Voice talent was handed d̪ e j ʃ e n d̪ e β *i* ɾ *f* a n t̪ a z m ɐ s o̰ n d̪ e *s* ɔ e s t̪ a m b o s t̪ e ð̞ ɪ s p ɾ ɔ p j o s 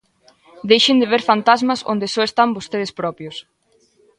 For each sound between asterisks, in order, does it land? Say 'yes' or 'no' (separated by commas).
no, yes, yes